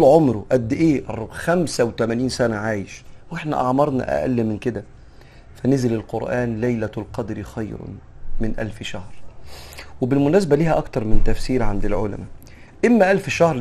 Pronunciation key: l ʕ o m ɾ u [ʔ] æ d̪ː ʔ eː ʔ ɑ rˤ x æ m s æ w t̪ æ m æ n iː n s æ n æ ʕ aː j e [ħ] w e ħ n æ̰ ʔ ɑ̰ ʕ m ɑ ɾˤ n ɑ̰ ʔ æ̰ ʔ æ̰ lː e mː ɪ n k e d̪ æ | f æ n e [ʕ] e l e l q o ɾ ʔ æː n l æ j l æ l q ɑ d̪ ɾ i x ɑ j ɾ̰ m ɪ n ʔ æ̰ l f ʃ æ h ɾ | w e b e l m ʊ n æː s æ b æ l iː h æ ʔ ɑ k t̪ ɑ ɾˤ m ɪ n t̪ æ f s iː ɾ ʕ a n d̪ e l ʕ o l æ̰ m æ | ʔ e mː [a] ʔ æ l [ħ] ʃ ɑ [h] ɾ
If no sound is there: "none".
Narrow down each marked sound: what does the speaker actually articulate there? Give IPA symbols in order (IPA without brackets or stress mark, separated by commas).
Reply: ʔ, ʃ, z, æ, f, h